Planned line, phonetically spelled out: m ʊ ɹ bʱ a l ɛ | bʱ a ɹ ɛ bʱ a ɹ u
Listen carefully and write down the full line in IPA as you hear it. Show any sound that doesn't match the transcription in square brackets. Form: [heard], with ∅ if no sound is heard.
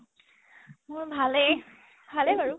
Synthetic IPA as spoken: m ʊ ɹ bʱ a l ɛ | bʱ a [l] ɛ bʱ a ɹ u